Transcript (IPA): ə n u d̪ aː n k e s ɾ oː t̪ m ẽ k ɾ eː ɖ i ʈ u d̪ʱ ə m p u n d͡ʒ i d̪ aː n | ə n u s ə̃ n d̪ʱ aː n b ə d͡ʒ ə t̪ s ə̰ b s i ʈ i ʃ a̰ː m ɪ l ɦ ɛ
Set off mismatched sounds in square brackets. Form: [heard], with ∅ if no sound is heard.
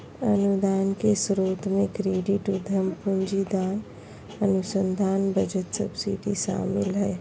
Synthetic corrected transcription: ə n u d̪ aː n k e s ɾ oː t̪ m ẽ k ɾ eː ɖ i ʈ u d̪ʱ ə m p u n d͡ʒ i d̪ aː n | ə n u s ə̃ n d̪ʱ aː n b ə d͡ʒ ə t̪ s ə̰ b s i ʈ i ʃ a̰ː m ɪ l ɦ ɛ